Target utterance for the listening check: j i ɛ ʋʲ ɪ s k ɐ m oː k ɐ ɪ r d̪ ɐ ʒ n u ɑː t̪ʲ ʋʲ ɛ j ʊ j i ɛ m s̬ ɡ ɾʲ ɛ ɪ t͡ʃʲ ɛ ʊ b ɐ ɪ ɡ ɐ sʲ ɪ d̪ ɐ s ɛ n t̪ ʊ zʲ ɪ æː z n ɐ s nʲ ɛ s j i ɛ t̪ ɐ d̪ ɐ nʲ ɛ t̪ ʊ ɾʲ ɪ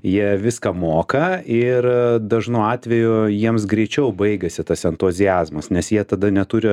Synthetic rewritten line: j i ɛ ʋʲ ɪ s k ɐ m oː k ɐ ɪ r d̪ ɐ ʒ n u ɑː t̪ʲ ʋʲ ɛ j ʊ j i ɛ m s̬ ɡ ɾʲ ɛ ɪ t͡ʃʲ ɛ ʊ b ɐ ɪ ɡ ɐ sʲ ɪ t̪ ɐ s ɛ n t̪ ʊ zʲ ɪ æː z m ɐ s nʲ ɛ s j i ɛ t̪ ɐ d̪ ɐ nʲ ɛ t̪ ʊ ɾʲ ɪ